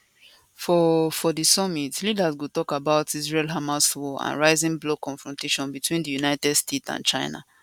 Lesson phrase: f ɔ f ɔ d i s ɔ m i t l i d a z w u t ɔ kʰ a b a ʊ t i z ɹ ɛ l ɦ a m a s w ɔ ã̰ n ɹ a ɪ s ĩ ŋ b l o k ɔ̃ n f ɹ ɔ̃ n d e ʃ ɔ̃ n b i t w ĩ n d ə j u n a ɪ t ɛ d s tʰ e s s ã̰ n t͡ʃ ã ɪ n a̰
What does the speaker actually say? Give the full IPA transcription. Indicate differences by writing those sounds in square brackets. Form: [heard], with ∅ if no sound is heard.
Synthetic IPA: f ɔ f ɔ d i s ɔ m i t l i d a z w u t ɔ [k] a b a ʊ t i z ɹ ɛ l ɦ a m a s w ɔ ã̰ n ɹ a ɪ [z] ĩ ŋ b l o k ɔ̃ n f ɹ ɔ̃ n [t] e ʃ ɔ̃ n b i t w ĩ n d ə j u n a ɪ t ɛ d s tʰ e [t] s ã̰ n t͡ʃ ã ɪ n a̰